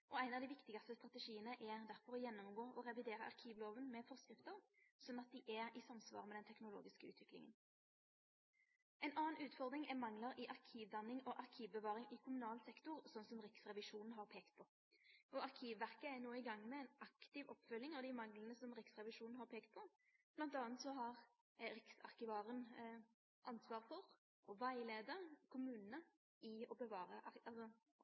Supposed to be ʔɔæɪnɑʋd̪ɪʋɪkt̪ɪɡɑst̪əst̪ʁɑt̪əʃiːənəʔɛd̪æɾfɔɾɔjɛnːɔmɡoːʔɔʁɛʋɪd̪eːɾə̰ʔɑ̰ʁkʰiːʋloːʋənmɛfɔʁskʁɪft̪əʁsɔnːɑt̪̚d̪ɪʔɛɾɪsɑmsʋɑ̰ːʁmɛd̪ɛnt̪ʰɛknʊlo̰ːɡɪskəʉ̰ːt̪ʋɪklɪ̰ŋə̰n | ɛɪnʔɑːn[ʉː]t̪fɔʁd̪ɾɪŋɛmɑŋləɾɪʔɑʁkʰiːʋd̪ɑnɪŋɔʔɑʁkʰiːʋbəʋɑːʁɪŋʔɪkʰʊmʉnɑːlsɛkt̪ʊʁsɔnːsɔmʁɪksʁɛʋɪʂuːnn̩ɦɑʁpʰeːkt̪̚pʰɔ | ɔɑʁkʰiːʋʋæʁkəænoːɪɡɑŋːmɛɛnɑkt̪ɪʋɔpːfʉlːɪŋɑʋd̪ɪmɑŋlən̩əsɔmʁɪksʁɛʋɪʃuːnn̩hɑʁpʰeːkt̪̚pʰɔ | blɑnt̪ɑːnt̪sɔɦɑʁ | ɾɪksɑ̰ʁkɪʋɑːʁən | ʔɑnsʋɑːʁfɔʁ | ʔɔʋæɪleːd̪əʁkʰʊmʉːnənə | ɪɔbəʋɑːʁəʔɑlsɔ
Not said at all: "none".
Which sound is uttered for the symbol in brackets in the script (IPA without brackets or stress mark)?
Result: ʉː